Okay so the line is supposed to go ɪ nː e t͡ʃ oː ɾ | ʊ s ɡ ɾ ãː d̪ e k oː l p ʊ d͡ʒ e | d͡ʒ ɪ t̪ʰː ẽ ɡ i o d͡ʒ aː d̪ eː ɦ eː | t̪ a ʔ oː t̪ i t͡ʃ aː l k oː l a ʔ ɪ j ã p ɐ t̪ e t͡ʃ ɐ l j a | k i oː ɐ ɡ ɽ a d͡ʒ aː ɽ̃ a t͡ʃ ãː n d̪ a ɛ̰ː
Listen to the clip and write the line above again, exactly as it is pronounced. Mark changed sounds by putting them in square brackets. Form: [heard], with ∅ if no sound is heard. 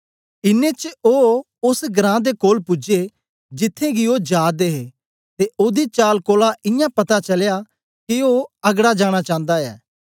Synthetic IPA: ɪ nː e t͡ʃ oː [∅] | ʊ s ɡ ɾ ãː d̪ e k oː l p ʊ d͡ʒ e | d͡ʒ ɪ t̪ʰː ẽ ɡ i o d͡ʒ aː d̪ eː ɦ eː | t̪ [e] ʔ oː [d̪] i t͡ʃ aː l k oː l a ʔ ɪ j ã p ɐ t̪ [a] t͡ʃ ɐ l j a | k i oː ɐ ɡ ɽ a d͡ʒ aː ɽ̃ a t͡ʃ ãː n d̪ a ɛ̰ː